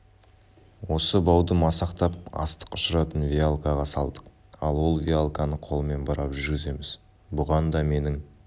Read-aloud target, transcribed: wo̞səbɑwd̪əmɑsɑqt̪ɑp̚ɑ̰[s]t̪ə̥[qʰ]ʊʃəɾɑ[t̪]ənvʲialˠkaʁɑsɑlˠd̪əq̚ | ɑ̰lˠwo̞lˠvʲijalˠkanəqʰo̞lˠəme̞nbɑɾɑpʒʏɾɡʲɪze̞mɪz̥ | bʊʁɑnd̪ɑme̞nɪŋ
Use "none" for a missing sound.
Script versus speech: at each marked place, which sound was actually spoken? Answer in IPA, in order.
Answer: s, q, t̪

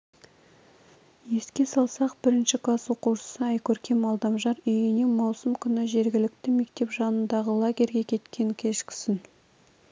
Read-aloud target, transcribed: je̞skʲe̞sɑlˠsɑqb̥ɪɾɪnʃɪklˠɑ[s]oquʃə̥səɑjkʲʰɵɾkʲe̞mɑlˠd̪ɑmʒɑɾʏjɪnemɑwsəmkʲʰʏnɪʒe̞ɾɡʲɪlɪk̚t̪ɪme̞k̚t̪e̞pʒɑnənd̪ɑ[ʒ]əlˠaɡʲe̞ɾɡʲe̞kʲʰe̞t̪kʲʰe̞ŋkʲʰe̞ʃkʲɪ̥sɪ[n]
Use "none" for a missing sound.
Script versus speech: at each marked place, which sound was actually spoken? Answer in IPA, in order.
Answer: s, ʁ, n

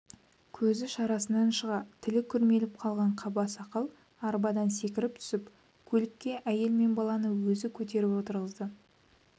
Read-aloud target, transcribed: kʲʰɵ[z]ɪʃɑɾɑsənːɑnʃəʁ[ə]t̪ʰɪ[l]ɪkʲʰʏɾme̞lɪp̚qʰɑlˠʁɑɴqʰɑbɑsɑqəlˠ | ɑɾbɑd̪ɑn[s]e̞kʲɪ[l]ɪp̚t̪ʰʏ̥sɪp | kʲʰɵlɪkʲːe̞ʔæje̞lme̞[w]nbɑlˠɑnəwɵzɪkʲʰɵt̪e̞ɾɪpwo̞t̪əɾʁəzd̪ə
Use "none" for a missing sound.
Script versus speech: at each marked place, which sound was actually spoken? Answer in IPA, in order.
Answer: z, ɑ, l, s, ɾ, none

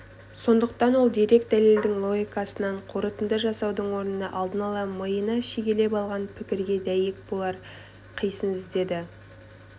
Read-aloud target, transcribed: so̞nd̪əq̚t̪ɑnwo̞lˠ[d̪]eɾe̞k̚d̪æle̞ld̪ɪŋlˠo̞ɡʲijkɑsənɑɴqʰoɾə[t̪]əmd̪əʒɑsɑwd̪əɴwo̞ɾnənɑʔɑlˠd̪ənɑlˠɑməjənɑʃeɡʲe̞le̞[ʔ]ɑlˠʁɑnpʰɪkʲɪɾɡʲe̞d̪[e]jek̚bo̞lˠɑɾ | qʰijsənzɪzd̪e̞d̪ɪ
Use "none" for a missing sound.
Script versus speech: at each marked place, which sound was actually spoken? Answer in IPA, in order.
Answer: d̪, t̪, p, æ

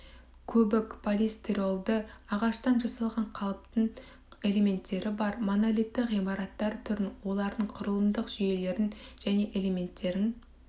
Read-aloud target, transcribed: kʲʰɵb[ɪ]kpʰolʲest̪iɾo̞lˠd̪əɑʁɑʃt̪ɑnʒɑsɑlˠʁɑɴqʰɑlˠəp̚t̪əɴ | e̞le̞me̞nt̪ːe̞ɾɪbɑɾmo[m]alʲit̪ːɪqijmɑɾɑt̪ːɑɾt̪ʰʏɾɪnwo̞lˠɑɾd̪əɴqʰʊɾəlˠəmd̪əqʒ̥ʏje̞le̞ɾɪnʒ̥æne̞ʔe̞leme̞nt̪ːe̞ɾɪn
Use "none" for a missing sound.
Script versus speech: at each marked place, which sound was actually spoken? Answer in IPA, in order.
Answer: ɪ, n

